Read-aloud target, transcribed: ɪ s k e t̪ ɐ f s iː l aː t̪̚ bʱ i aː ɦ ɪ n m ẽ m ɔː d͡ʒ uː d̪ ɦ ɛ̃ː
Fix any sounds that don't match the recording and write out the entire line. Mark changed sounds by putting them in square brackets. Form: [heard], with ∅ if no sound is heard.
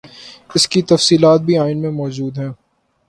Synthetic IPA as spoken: ɪ s k [i] t̪ ɐ f s iː l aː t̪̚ bʱ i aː [∅] ɪ n m ẽ m ɔː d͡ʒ uː d̪ ɦ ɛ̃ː